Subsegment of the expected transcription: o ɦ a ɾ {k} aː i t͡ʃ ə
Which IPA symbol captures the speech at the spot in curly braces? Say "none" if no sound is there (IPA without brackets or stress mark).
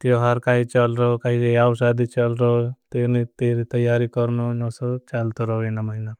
k